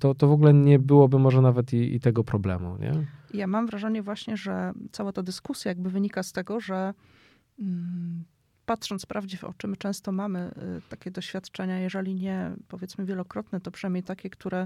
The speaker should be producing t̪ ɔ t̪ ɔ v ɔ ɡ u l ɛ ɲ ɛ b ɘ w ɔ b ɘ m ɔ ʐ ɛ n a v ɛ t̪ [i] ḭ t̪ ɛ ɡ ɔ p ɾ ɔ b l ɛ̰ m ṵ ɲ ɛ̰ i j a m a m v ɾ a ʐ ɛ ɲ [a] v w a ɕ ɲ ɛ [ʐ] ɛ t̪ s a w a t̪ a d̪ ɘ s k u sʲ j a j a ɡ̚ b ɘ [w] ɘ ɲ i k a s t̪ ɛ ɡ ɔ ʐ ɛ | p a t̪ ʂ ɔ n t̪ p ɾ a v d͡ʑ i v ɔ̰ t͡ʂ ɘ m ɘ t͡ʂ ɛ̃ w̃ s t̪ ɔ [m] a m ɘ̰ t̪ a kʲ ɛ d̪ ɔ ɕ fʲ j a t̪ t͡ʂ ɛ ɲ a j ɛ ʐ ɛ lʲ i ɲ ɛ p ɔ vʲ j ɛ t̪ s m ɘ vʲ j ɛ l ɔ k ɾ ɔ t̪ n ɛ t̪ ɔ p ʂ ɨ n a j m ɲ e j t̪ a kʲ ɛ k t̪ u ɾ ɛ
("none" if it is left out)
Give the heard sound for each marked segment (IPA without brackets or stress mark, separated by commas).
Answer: i, ɛ, ʐ, v, m